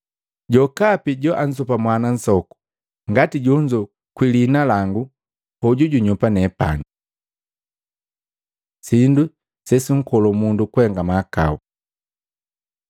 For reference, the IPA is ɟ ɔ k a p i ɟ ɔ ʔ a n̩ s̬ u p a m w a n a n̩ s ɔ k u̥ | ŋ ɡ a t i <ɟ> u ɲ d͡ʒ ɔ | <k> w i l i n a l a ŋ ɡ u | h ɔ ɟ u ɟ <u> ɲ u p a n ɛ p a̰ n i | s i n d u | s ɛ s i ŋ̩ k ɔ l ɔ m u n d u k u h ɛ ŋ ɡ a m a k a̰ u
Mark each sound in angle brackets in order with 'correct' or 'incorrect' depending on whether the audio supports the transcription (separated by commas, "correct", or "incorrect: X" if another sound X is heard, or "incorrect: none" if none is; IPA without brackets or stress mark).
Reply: correct, correct, correct